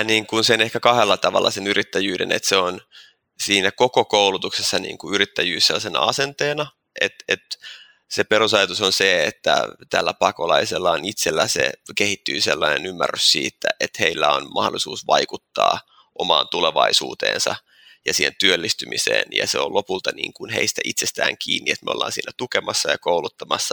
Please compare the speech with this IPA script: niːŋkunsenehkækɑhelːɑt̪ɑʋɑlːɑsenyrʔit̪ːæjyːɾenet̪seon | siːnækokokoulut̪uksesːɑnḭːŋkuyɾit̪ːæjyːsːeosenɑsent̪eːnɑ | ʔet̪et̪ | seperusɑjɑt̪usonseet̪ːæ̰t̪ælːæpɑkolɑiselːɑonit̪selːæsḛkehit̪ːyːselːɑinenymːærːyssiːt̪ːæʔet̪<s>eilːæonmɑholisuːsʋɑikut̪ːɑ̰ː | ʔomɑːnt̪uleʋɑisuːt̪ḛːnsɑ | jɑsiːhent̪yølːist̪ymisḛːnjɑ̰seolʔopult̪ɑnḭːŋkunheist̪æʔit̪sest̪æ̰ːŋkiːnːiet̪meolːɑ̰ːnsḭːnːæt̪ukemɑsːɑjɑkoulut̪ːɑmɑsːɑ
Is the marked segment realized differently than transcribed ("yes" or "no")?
yes